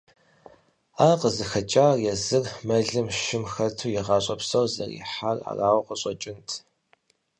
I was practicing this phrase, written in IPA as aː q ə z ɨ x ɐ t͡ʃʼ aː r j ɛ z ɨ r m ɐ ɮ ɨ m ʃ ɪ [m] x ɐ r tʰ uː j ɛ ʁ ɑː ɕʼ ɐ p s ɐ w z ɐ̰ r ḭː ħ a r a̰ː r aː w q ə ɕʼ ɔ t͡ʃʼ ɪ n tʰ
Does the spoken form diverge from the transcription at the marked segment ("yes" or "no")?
no